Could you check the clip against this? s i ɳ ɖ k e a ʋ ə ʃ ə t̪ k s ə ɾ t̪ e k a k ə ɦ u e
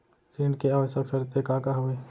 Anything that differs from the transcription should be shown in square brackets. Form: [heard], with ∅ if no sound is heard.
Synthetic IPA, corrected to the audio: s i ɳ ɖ k e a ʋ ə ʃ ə [∅] k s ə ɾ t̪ e k a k [a] ɦ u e